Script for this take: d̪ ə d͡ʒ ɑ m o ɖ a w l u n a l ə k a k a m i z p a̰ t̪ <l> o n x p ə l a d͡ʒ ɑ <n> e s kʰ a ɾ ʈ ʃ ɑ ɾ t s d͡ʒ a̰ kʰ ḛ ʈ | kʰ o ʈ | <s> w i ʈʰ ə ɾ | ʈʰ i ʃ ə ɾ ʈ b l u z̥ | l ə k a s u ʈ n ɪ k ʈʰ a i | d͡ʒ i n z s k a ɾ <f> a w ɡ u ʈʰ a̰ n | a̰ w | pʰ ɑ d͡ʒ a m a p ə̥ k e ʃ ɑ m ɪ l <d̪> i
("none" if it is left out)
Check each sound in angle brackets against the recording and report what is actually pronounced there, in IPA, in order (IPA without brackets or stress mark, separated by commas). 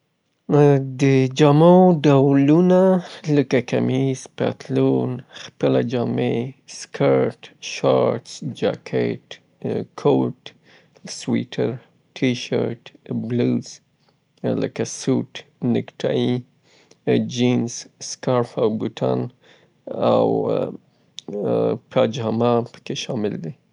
l, m, s, f, d̪